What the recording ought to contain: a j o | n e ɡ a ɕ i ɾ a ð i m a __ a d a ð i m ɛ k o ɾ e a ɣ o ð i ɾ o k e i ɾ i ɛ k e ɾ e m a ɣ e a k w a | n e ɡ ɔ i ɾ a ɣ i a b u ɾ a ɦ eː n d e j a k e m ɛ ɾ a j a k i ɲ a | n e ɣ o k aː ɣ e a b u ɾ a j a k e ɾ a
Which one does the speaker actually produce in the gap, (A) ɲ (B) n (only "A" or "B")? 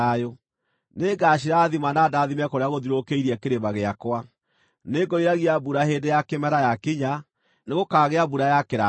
B